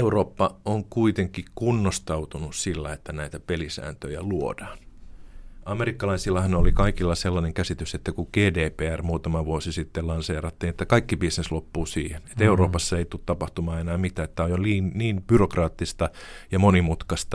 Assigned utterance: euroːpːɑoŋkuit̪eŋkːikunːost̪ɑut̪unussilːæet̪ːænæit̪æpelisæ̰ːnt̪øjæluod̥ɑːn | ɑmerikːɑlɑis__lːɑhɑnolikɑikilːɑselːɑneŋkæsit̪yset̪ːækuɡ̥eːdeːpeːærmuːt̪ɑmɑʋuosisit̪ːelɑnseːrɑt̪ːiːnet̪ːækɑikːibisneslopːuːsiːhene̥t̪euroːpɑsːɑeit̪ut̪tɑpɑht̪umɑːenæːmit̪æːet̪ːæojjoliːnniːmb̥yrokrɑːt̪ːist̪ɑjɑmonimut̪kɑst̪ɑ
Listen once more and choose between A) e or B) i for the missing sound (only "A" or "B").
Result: B